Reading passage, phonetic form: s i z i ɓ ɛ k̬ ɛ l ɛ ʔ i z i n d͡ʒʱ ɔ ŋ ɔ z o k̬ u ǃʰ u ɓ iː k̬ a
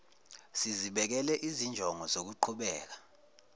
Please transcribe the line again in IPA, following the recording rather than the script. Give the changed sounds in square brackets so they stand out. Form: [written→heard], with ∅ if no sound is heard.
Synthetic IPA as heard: s i z i ɓ ɛ k̬ ɛ l ɛ ʔ i z i n d͡ʒʱ ɔ ŋ ɔ z o k̬ u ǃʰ u ɓ [iː→ɛː] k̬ a